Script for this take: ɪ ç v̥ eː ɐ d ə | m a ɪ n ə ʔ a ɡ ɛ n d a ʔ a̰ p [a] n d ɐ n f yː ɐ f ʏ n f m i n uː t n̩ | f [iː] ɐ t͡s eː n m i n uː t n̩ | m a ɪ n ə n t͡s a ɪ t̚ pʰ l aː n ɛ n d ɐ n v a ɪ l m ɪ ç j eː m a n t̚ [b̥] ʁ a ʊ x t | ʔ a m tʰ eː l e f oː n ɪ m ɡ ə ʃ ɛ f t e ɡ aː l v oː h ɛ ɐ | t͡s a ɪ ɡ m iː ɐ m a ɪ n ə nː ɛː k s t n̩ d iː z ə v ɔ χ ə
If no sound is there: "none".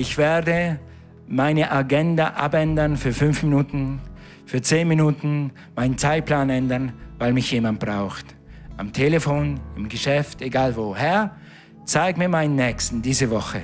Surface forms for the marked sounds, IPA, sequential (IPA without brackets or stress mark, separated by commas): ɛ, yː, b̥